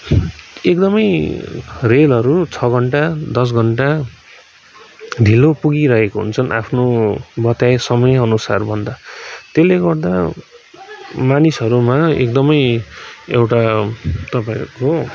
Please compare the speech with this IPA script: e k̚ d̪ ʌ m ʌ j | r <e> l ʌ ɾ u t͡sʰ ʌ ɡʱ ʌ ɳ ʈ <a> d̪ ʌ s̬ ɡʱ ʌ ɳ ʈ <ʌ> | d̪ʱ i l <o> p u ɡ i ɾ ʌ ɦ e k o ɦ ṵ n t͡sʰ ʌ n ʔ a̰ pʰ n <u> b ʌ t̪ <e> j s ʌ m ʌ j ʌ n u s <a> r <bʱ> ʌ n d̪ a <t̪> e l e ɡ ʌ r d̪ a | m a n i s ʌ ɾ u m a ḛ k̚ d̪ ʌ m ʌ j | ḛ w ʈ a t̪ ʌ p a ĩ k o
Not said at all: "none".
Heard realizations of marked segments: e, a, a, o, o, a, a, bʱ, t̪

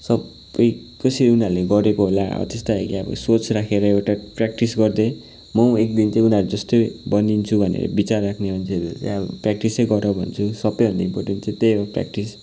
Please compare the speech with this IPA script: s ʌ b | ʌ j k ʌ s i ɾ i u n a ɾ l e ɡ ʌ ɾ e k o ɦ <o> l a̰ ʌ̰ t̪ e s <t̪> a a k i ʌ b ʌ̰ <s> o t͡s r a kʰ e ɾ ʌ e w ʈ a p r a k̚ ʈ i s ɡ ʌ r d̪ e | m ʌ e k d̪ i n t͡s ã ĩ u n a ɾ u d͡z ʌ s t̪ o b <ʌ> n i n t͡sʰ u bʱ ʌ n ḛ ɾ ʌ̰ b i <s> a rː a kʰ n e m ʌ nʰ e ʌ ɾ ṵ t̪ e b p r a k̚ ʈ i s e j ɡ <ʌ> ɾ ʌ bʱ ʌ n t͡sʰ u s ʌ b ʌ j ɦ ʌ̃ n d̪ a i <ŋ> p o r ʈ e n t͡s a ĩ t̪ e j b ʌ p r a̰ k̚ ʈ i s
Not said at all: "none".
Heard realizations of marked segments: o, t̪, s, ʌ, t͡s, ʌ, m

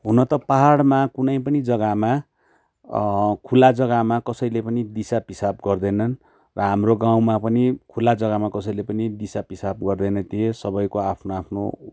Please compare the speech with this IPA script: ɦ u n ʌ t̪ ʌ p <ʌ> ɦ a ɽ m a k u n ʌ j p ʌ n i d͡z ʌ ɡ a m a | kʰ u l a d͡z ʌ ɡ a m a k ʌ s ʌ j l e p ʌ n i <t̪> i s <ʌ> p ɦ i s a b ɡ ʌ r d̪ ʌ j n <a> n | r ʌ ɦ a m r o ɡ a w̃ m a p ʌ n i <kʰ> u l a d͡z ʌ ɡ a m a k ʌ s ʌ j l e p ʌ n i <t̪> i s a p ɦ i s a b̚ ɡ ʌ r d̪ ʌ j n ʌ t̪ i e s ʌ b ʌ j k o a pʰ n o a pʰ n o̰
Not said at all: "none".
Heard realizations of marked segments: a, d̪, a, ʌ, kʰ, d̪

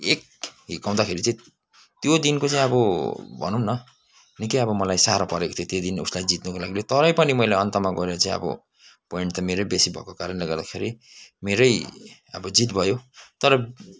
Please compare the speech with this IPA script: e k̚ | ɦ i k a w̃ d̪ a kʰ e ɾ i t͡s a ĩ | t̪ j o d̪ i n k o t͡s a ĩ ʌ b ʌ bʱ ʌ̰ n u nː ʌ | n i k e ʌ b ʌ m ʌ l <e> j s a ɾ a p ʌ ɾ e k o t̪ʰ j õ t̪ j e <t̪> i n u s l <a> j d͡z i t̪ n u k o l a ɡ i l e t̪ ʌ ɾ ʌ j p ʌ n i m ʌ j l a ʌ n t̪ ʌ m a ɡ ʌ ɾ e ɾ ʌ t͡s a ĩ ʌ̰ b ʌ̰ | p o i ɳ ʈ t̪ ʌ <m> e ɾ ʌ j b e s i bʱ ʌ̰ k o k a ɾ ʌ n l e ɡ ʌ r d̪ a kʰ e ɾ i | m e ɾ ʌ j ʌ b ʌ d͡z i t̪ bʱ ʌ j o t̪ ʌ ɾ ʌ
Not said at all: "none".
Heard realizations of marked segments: a, d̪, a, m

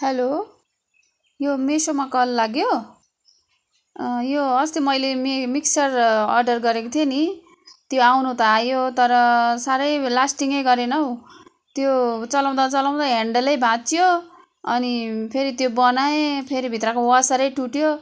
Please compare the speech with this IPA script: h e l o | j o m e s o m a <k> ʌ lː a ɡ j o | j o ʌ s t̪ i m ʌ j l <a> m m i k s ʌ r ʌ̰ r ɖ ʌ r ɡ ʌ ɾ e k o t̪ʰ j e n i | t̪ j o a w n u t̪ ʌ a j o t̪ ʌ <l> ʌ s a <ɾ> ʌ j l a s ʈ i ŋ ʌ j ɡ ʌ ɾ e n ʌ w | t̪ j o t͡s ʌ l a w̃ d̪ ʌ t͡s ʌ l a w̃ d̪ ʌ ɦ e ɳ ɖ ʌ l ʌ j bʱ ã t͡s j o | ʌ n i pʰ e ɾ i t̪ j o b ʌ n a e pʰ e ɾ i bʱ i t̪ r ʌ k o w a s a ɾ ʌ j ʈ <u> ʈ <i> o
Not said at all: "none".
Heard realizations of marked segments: k, e, ɾ, ɾ, u, j

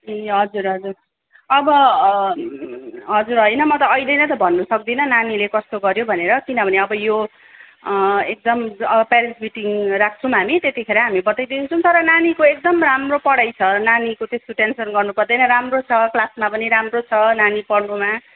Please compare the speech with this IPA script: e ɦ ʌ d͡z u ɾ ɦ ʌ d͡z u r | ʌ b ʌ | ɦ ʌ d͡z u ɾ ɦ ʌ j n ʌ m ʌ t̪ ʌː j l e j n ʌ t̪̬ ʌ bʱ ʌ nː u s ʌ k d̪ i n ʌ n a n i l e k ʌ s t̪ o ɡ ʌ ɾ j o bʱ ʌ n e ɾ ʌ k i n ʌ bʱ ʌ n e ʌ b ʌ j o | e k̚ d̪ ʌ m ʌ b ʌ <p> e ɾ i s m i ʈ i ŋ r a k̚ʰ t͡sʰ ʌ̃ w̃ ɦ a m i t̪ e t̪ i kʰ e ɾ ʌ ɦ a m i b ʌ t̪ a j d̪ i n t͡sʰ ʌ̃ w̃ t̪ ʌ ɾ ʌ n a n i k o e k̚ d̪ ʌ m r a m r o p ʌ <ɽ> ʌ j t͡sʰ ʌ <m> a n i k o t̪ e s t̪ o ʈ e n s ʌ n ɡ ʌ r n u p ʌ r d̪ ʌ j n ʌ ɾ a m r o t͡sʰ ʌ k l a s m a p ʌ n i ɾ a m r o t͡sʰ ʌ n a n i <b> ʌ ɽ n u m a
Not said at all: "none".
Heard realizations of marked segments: p, ɽ, n, p

